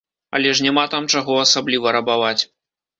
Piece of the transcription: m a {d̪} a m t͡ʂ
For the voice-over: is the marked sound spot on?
no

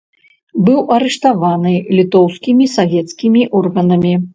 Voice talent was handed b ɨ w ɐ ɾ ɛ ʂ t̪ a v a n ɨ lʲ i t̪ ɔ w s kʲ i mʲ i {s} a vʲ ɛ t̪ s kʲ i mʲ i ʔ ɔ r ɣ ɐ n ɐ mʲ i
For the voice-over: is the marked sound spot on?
yes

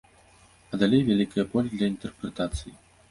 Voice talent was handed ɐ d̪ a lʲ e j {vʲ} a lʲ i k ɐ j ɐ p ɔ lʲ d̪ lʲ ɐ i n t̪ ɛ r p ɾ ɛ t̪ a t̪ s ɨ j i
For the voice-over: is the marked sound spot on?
yes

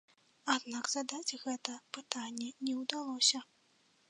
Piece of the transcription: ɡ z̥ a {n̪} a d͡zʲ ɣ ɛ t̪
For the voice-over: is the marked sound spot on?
no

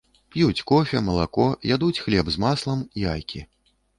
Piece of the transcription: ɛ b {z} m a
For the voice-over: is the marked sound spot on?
yes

